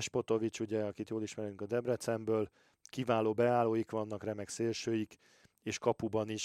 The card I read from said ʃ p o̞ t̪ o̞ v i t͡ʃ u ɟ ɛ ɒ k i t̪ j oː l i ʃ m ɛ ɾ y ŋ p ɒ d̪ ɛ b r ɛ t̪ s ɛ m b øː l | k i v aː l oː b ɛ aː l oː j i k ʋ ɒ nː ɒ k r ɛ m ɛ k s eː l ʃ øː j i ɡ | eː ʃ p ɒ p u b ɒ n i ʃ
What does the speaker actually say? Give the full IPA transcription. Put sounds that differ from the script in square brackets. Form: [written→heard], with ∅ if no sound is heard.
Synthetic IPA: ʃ p o̞ t̪ o̞ v i t͡ʃ u ɟ ɛ ɒ k i t̪ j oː l i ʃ m ɛ ɾ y ŋ [p→k] ɒ d̪ ɛ b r ɛ t̪ s ɛ m b øː l | k i v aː l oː b ɛ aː l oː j i k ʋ ɒ nː ɒ k r ɛ m ɛ k s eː l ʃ øː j i [ɡ→k] | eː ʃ [p→k] ɒ p u b ɒ n i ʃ